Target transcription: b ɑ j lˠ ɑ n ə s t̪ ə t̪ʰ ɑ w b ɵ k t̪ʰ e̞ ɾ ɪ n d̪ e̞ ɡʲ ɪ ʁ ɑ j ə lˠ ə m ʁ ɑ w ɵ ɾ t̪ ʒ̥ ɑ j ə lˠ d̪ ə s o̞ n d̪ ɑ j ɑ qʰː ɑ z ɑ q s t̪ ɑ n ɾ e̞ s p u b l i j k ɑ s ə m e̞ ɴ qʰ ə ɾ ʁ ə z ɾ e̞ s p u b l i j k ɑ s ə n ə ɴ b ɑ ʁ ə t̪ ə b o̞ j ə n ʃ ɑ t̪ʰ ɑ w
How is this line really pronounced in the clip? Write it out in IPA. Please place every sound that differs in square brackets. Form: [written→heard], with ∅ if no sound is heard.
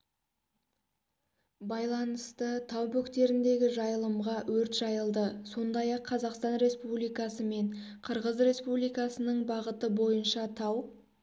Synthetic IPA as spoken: b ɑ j lˠ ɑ n ə s t̪ ə t̪ʰ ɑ w b ɵ k [t̪ʰ→t̪] e̞ ɾ ɪ n d̪ e̞ ɡʲ ɪ [ʁ→ʒ] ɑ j ə lˠ ə m ʁ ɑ w ɵ ɾ t̪ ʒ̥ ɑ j ə lˠ d̪ ə s o̞ n d̪ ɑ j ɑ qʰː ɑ z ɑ q s t̪ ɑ n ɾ e̞ s p u b l i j k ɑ s ə m e̞ ɴ qʰ ə ɾ ʁ ə z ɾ e̞ s p u b l i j k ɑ s ə n ə ɴ b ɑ ʁ ə t̪ ə b o̞ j ə n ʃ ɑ t̪ʰ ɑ w